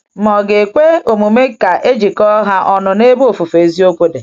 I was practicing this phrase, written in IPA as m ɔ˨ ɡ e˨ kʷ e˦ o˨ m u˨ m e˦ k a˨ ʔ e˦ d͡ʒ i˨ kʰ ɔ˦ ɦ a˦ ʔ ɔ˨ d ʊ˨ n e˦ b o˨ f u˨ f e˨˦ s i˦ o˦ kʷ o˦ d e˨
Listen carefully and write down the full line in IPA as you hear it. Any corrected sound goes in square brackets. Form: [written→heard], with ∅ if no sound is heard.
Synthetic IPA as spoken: m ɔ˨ ɡ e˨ kʷ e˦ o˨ m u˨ m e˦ k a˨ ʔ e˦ d͡ʒ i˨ [kʰ→k] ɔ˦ ɦ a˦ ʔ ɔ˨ [d→n] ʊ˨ n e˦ b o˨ f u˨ f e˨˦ [s→z] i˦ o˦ kʷ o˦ d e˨